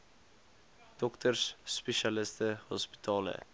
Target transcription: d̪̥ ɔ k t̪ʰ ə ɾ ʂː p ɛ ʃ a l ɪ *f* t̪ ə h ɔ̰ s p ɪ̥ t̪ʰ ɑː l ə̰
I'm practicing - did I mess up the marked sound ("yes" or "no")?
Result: yes